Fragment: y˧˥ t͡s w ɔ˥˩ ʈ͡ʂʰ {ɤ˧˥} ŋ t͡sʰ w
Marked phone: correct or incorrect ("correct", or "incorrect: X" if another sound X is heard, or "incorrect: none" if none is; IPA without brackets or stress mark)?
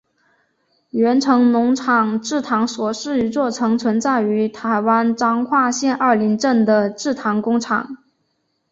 correct